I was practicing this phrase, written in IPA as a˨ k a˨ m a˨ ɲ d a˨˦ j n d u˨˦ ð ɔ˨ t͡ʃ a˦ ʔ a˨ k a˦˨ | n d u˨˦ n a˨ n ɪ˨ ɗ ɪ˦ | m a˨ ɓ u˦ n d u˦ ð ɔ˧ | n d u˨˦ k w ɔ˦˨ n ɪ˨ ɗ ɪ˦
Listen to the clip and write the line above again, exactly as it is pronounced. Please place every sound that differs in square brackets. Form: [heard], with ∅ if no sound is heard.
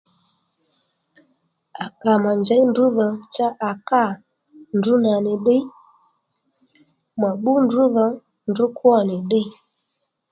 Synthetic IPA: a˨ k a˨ m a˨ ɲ [d͡ʒ] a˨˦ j n d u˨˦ ð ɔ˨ t͡ʃ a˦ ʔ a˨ k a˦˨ | n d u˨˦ n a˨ n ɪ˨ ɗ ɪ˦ | m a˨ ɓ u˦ n d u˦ ð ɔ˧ | n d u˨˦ k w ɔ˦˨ n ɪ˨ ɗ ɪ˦